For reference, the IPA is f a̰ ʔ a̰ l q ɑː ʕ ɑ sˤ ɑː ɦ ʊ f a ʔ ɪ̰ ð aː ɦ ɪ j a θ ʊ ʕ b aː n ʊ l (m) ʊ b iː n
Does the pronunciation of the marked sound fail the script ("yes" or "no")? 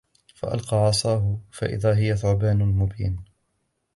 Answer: no